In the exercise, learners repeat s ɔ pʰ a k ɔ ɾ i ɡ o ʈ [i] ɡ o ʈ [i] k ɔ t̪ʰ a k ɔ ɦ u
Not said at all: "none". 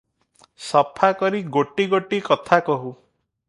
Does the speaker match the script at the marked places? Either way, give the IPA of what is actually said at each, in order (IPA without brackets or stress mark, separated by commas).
i, i